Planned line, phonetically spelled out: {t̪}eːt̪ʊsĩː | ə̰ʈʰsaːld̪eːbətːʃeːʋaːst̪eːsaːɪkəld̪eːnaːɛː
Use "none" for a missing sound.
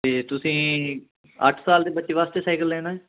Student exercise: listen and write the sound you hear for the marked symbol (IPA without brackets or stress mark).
t̪